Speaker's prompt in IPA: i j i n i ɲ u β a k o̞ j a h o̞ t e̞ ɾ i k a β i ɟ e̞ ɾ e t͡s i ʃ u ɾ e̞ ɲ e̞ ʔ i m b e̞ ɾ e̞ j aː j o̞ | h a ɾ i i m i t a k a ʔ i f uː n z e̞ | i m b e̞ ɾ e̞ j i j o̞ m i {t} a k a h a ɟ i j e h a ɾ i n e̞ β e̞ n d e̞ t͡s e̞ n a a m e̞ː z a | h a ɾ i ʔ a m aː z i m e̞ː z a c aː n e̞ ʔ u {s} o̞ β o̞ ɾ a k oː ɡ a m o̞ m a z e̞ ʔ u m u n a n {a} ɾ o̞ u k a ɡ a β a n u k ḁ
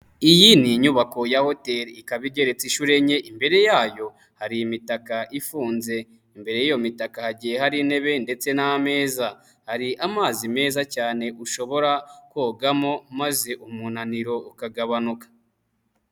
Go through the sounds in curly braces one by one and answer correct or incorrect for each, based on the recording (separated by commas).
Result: correct, incorrect, incorrect